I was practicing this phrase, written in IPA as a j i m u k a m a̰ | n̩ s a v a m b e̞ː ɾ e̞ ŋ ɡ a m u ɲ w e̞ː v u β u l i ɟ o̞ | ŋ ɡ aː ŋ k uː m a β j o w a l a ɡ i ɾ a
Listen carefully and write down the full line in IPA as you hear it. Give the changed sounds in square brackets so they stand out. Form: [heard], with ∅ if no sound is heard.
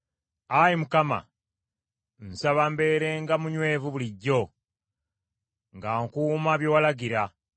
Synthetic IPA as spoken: a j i m u k a m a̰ | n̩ s a [β] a m b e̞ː ɾ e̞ ŋ ɡ a m u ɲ w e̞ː v u β u l i [ɟː] o̞ | ŋ ɡ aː ŋ k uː m a β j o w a l a ɡ i ɾ a